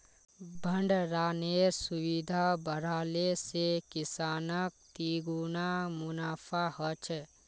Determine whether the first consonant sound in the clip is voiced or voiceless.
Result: voiced